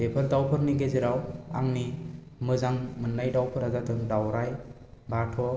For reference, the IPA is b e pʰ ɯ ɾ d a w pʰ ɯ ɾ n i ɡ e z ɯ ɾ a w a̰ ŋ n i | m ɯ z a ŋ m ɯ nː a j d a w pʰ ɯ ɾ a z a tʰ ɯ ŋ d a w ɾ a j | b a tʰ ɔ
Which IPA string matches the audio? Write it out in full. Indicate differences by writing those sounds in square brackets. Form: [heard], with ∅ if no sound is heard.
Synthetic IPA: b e pʰ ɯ ɾ d a w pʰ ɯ ɾ n i ɡ e z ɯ ɾ a w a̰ ŋ n i | m ɯ z a ŋ m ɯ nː a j d a w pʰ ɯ ɾ a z a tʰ ɯ ŋ d a w ɾ a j | b a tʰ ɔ